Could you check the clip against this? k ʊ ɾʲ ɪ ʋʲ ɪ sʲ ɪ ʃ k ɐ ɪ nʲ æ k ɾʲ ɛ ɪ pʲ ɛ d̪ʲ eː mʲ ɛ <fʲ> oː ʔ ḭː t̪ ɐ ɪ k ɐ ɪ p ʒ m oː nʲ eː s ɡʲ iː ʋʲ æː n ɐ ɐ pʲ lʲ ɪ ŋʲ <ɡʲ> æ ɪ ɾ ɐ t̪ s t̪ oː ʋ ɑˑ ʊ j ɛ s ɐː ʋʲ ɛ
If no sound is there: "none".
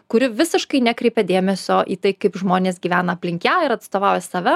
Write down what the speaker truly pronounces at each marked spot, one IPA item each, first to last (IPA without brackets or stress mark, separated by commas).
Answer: sʲ, kʲ